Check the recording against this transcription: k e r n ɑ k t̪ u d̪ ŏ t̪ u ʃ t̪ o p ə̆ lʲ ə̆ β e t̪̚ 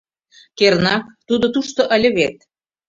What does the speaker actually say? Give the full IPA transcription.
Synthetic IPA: k e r n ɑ k t̪ u d̪ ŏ t̪ u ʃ t̪ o ʔ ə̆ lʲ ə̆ β e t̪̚